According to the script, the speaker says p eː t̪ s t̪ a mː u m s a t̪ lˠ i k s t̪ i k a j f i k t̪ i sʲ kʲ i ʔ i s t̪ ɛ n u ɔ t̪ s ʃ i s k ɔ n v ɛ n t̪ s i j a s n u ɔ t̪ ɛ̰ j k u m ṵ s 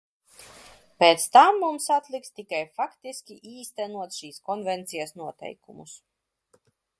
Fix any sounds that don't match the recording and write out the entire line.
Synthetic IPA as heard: p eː t̪ s t̪ a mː u m s a t̪ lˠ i k s t̪ i k a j f a k t̪ i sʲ kʲ i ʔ iː s t̪ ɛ n u ɔ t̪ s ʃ iː s k ɔ n v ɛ n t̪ s i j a s n u ɔ t̪ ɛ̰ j k u m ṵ s